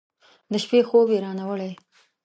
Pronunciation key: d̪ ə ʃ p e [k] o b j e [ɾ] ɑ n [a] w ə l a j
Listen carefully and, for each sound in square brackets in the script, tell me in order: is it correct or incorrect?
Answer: incorrect: x, correct, correct

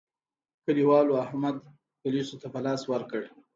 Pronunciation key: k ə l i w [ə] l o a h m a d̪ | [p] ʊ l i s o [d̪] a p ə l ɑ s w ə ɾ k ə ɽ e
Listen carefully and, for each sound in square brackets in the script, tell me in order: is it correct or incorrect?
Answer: incorrect: ɑ, correct, incorrect: t̪

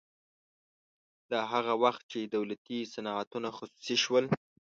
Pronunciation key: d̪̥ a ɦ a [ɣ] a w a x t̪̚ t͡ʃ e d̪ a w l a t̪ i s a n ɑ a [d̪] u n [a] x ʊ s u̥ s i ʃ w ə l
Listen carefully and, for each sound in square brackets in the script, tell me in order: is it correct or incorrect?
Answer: correct, incorrect: t̪, correct

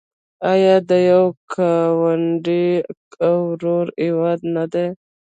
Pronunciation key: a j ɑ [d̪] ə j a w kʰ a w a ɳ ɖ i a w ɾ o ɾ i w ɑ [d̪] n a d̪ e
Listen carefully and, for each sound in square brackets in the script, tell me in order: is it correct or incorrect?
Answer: correct, correct

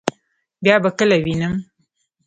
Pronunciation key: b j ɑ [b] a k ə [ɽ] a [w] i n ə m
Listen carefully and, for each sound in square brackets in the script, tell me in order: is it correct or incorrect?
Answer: correct, incorrect: l, correct

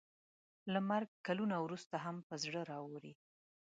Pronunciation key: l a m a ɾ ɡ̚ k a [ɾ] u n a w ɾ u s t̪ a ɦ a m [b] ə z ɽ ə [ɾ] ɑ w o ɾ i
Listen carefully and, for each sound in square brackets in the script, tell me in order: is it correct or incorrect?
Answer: incorrect: l, incorrect: p, correct

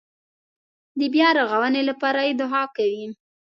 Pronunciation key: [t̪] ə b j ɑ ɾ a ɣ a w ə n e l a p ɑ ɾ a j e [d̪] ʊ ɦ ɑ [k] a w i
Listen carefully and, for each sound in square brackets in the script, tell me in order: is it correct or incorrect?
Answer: incorrect: d̪, correct, correct

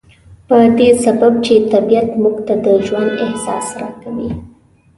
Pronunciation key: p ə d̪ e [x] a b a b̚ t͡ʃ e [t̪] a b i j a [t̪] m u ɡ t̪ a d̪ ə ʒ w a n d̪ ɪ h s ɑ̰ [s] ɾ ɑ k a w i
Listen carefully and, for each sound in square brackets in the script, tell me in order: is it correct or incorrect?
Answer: incorrect: s, correct, correct, correct

